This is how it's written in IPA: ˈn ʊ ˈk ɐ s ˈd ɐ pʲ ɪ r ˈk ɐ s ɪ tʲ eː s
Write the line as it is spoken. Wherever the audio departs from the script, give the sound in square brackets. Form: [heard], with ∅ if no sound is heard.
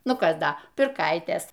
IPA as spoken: ˈn ʊ ˈk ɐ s ˈd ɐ pʲ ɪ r ˈk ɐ [∅] ɪ tʲ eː s